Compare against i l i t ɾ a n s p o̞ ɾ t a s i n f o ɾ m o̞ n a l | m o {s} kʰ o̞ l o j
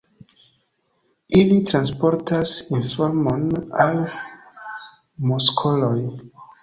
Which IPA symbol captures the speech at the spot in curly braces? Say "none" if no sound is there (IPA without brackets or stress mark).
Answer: s